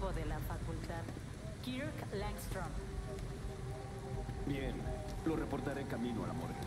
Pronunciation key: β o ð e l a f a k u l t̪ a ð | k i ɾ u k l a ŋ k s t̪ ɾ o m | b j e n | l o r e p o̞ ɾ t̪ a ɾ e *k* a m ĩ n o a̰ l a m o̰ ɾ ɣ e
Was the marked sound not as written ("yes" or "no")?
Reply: no